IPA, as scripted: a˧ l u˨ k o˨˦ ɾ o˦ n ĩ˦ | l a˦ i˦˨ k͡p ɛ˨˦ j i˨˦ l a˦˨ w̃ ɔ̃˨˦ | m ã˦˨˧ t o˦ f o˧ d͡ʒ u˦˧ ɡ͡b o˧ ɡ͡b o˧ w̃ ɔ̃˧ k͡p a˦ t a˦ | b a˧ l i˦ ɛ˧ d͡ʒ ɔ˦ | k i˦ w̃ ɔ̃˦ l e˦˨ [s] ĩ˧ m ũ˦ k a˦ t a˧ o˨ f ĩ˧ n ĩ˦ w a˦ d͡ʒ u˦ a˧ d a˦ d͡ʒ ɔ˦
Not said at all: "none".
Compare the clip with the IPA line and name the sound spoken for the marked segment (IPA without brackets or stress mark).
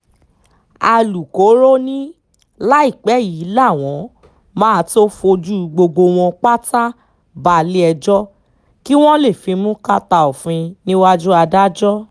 f